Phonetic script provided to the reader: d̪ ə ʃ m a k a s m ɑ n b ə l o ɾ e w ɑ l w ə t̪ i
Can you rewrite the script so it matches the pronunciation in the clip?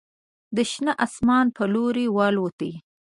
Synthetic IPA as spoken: d̪ ə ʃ n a ʔ a s m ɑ n p ə l o ɾ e w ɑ l w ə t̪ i